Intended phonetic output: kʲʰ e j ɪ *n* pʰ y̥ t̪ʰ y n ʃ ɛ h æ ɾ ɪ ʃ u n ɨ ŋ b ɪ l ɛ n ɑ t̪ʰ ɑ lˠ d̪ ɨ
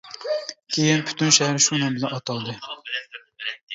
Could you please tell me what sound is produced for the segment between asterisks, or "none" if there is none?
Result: n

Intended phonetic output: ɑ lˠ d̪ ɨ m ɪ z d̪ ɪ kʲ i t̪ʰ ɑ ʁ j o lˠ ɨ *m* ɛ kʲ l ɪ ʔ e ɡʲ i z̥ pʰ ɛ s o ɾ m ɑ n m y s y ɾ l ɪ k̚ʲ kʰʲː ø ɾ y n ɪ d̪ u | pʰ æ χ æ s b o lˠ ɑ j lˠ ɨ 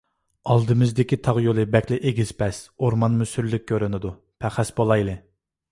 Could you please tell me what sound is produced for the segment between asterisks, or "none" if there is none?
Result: b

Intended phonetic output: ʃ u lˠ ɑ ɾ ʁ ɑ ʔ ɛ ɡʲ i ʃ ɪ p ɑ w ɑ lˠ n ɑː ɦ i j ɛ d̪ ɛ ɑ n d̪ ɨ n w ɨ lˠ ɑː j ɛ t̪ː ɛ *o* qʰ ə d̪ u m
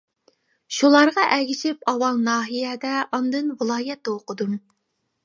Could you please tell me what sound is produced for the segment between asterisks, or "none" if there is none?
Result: o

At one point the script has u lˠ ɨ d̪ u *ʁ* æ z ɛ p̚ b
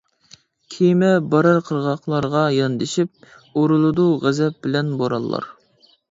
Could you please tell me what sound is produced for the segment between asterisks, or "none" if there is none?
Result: ʁ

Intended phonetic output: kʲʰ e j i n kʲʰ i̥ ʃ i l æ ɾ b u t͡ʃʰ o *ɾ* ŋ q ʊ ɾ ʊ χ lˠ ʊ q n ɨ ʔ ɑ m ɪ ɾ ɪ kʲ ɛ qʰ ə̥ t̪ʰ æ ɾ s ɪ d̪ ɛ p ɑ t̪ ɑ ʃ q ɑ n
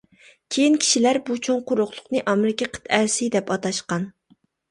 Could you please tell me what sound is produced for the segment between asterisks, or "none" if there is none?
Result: none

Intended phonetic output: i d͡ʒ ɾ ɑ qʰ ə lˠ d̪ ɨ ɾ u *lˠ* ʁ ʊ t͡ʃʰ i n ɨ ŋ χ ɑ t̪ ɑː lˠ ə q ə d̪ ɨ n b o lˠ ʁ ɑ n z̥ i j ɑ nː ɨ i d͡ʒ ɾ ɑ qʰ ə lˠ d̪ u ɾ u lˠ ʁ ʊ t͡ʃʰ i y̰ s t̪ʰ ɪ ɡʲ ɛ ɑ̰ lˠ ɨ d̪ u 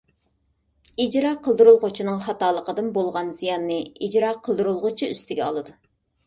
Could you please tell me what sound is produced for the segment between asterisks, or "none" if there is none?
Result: lˠ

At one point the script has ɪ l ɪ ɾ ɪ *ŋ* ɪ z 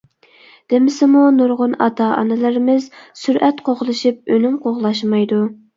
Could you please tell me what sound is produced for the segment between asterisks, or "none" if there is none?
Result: m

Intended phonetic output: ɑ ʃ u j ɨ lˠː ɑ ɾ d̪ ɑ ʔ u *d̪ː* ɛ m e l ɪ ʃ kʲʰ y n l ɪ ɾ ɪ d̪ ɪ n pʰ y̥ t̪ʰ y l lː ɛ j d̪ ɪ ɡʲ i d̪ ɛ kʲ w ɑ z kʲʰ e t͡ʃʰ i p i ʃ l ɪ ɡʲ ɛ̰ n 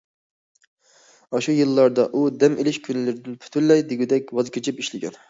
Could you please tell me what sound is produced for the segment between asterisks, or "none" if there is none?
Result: d̪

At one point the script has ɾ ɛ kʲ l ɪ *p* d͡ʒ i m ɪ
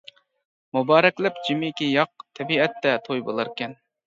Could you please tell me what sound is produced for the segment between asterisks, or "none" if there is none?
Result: p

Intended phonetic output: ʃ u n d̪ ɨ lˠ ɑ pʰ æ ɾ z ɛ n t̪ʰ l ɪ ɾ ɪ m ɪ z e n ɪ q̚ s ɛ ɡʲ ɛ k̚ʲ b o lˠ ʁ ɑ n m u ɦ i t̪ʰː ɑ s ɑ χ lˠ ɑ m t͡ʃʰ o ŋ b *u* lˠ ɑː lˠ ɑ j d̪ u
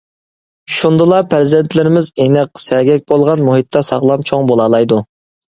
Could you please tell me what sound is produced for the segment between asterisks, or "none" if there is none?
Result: o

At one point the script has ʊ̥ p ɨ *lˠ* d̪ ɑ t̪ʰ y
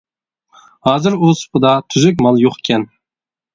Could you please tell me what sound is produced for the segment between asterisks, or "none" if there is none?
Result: none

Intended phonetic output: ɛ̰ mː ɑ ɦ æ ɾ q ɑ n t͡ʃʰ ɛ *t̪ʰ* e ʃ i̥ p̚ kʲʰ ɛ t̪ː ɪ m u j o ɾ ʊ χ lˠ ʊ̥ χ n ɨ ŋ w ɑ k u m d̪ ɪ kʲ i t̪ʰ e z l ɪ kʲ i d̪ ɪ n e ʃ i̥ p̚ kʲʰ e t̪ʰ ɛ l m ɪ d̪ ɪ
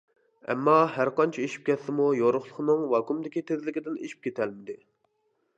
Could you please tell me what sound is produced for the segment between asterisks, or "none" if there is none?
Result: none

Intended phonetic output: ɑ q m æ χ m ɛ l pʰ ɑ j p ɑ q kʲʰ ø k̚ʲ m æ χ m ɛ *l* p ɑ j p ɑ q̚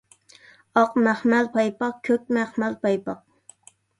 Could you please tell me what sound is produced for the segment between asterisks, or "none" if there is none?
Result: l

